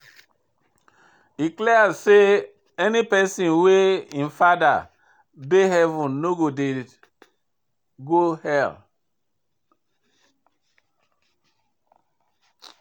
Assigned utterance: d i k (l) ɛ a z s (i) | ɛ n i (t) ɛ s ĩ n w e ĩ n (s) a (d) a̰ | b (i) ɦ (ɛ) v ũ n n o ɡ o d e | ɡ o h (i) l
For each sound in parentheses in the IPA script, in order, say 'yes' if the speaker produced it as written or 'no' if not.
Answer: yes, no, no, no, yes, no, yes, no

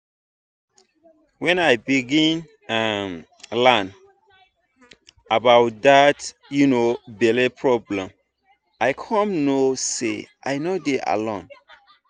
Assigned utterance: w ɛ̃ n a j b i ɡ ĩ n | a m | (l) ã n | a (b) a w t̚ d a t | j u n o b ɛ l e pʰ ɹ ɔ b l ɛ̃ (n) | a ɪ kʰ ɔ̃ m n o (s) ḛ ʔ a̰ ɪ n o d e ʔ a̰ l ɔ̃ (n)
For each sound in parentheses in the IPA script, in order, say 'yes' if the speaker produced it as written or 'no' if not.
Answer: yes, yes, no, yes, yes

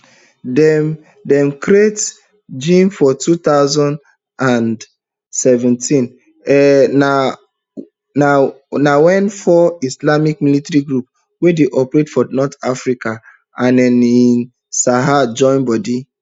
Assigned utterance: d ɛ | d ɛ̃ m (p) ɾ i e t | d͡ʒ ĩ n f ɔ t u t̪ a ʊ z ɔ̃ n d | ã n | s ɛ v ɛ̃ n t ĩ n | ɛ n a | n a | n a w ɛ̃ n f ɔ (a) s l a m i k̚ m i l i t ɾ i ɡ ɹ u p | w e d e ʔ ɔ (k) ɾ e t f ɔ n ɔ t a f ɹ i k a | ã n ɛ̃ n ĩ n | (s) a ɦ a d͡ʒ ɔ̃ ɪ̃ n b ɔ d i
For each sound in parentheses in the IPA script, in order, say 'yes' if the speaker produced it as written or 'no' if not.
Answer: no, no, no, yes

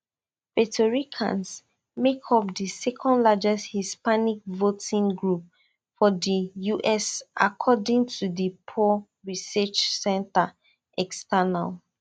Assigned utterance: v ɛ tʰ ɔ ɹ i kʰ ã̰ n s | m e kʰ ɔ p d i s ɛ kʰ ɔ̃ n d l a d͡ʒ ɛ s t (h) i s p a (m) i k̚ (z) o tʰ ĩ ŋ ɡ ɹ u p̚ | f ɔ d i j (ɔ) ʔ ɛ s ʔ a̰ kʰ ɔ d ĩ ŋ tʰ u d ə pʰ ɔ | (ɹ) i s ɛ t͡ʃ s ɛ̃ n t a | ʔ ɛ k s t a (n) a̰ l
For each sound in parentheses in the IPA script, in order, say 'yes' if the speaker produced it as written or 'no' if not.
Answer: yes, no, no, no, yes, yes

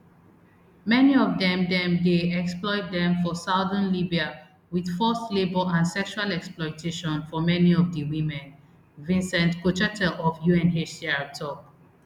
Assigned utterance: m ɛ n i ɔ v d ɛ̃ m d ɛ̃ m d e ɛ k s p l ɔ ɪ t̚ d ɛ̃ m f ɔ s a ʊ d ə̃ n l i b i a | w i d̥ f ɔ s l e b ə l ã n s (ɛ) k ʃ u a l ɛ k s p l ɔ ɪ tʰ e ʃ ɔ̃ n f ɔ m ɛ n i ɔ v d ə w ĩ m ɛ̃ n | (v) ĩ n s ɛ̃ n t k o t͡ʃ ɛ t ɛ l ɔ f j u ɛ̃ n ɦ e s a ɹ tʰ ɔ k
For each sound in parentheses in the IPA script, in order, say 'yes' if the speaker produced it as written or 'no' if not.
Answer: yes, yes

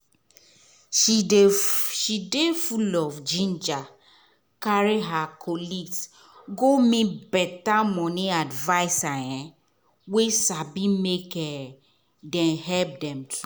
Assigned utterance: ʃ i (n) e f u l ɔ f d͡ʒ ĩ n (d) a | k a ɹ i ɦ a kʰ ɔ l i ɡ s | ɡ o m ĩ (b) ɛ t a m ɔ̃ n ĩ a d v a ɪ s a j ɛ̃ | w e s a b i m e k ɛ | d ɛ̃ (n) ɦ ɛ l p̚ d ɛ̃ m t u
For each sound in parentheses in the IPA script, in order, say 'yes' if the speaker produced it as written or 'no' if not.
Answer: no, no, yes, yes

